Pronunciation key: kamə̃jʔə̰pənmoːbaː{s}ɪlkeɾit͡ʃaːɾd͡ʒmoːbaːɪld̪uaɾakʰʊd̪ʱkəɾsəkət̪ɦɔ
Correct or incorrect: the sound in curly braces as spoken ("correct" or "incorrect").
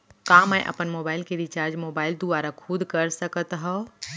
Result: incorrect